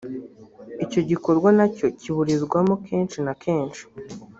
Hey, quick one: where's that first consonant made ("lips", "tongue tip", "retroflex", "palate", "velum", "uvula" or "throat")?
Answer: palate